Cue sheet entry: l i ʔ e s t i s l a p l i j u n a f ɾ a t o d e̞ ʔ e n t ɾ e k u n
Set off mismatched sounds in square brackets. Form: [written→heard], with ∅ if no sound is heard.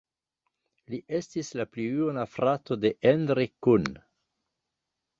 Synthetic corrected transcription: l i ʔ e s t i s l a p l i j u n a f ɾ a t o d e̞ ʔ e n [t→d] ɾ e k u n